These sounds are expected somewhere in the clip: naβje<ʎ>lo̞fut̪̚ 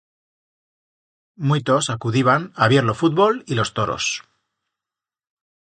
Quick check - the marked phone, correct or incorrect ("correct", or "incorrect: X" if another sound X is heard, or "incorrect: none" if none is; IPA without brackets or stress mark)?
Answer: incorrect: ɾ